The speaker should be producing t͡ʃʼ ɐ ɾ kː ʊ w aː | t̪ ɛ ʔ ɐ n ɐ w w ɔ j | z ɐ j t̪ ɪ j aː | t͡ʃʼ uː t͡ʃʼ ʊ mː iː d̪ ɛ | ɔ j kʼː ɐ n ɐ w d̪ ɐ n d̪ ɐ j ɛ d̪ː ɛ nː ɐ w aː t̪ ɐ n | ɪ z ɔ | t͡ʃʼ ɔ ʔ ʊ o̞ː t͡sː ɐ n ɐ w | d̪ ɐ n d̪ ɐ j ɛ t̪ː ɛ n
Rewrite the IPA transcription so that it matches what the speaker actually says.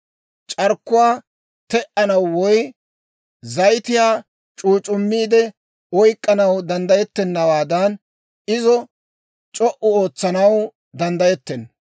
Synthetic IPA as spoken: t͡ʃʼ ɐ ɾ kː ʊ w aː | t̪ ɛ ʔ ɐ n ɐ w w ɔ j | z ɐ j t̪ ɪ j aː | t͡ʃʼ uː t͡ʃʼ ʊ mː iː d̪ ɛ | ɔ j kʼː ɐ n ɐ w d̪ ɐ n d̪ ɐ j ɛ t̪ː ɛ nː ɐ w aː d̪ ɐ n | ɪ z ɔ | t͡ʃʼ ɔ ʔ ʊ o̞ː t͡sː ɐ n ɐ w | d̪ ɐ n d̪ ɐ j ɛ t̪ː ɛ n

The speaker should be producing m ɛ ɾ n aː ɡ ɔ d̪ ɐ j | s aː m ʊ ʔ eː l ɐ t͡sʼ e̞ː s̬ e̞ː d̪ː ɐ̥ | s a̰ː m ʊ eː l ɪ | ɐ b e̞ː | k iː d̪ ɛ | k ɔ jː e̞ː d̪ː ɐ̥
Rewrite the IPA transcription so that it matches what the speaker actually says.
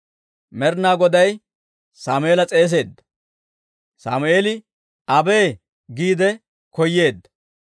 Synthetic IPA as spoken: m ɛ ɾ n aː ɡ ɔ d̪ ɐ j | s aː m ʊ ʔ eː l ɐ t͡sʼ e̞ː s̬ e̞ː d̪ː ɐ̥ | s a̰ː m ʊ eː l ɪ | ɐ b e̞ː | ɡ iː d̪ ɛ | k ɔ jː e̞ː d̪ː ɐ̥

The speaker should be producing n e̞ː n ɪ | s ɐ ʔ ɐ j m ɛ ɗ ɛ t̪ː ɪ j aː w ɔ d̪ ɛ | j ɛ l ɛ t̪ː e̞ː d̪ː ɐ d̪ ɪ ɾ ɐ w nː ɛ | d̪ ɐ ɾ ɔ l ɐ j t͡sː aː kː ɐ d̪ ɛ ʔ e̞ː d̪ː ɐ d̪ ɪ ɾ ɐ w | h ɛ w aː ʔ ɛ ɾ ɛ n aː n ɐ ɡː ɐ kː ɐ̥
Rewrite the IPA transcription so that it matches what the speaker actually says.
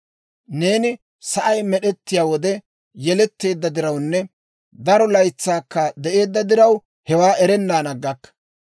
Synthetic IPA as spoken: n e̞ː n ɪ | s ɐ ʔ ɐ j m ɛ ɗ ɛ t̪ː ɪ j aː w ɔ d̪ ɛ | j ɛ l ɛ t̪ː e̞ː d̪ː ɐ d̪ ɪ ɾ ɐ w nː ɛ | d̪ ɐ ɾ ɔ l ɐ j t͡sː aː kː ɐ d̪ ɛ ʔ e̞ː d̪ː ɐ d̪ ɪ ɾ ɐ w | h ɛ w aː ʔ ɛ ɾ ɛ nː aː n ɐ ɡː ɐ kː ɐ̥

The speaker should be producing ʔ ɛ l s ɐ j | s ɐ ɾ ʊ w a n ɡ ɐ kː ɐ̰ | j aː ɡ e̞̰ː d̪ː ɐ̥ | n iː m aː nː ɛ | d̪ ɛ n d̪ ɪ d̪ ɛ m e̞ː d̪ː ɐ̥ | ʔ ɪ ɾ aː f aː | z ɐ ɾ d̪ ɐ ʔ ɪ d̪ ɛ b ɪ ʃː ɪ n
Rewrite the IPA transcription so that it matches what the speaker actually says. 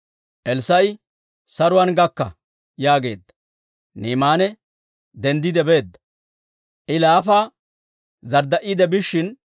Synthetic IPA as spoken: ʔ ɛ l s ɐ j | s ɐ ɾ ʊ w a n ɡ ɐ kː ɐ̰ | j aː ɡ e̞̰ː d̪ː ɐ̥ | n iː m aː n ɛ | d̪ ɛ n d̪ ɪ d̪ ɛ b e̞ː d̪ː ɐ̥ | ʔ ɪ l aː f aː | z ɐ ɾ d̪ ɐ ʔ ɪ d̪ ɛ b ɪ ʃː ɪ n

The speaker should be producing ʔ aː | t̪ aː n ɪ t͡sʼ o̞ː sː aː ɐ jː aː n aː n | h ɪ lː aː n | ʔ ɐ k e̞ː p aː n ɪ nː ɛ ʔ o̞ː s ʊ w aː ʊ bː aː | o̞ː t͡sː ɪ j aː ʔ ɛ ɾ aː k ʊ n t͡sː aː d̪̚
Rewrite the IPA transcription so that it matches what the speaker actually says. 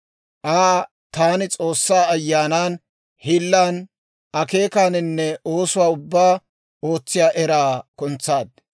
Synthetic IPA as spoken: ʔ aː | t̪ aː n ɪ t͡sʼ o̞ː sː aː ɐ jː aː n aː n | h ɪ lː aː n | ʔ ɐ k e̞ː k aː n ɪ nː ɛ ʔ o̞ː s ʊ w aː ʊ bː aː | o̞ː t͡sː ɪ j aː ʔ ɛ ɾ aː k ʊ n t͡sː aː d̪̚

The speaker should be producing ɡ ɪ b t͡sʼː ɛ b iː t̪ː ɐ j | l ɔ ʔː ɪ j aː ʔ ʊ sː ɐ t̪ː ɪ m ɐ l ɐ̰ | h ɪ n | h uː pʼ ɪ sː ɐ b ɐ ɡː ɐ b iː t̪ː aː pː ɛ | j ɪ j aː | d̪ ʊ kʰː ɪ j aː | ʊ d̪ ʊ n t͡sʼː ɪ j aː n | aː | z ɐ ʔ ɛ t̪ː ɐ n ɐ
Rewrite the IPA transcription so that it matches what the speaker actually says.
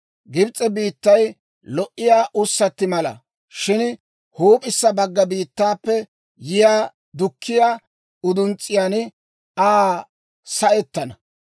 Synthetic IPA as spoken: ɡ ɪ b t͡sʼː ɛ b iː t̪ː ɐ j | l ɔ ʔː ɪ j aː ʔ ʊ sː ɐ t̪ː ɪ m ɐ l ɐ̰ | ʃ ɪ n | h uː pʼ ɪ sː ɐ b ɐ ɡː ɐ b iː t̪ː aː pː ɛ | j ɪ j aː | d̪ ʊ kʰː ɪ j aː | ʊ d̪ ʊ n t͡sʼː ɪ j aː n | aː | s ɐ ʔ ɛ t̪ː ɐ n ɐ

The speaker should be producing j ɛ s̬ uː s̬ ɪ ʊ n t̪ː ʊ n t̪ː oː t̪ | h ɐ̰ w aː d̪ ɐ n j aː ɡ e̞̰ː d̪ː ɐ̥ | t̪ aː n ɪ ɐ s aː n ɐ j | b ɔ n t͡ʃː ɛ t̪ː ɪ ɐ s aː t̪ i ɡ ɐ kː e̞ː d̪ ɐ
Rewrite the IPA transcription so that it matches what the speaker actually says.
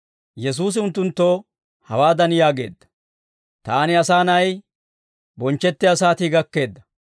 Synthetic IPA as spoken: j ɛ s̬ uː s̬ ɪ ʊ n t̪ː ʊ n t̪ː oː | h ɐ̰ w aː d̪ ɐ n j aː ɡ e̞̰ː d̪ː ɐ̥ | t̪ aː n ɪ ɐ s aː n ɐ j | b ɔ n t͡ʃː ɛ t̪ː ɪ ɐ s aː t̪ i ɡ ɐ kː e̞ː d̪ː ɐ

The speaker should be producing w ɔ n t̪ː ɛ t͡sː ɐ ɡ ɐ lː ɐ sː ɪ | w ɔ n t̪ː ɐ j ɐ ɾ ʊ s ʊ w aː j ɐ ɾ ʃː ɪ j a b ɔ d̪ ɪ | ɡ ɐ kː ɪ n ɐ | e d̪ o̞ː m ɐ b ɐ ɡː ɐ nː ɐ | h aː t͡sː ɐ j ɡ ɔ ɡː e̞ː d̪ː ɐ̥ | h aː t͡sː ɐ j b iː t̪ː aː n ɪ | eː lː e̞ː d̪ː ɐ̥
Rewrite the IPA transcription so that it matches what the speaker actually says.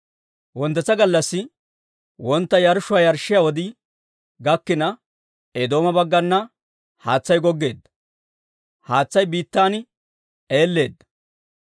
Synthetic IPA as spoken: w ɔ n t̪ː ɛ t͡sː ɐ ɡ ɐ lː ɐ sː ɪ | w ɔ n t̪ː ɐ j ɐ ɾ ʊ ʃ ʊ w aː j ɐ ɾ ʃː ɪ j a w ɔ d̪ ɪ | ɡ ɐ kː ɪ n ɐ | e d̪ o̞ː m ɐ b ɐ ɡː ɐ nː ɐ | h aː t͡sː ɐ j ɡ ɔ ɡː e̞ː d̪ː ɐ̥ | h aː t͡sː ɐ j b iː t̪ː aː n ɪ | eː lː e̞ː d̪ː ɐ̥

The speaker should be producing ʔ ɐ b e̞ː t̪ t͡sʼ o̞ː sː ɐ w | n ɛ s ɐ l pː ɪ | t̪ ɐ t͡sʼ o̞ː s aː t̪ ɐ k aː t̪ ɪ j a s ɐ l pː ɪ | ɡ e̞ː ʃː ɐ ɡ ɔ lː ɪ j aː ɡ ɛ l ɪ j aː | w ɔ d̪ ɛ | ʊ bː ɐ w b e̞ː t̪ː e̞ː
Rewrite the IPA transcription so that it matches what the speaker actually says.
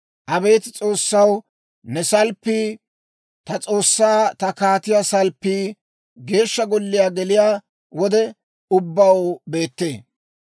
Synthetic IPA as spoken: ʔ ɐ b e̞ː t̪ t͡sʼ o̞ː sː ɐ w | n ɛ s ɐ l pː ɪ | t̪ ɐ t͡sʼ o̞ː sː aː t̪ ɐ k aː t̪ ɪ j a s ɐ l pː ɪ | ɡ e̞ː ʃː ɐ ɡ ɔ lː ɪ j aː ɡ ɛ l ɪ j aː | w ɔ d̪ ɛ | ʊ bː ɐ w b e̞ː t̪ː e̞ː

